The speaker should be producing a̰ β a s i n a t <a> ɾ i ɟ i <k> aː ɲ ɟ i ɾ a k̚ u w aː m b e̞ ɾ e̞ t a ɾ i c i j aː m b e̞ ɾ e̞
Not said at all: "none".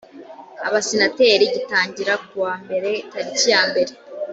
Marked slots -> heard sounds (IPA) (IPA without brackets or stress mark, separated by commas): e, t